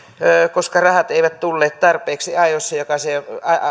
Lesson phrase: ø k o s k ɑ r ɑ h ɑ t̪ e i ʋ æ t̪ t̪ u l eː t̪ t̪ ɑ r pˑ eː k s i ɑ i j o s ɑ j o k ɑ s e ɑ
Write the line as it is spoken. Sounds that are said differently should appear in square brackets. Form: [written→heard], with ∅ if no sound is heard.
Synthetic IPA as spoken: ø k o s k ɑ r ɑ h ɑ t̪ e i ʋ æ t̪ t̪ u [l→lː] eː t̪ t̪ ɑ r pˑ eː k s i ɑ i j o [s→sː] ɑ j o k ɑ s e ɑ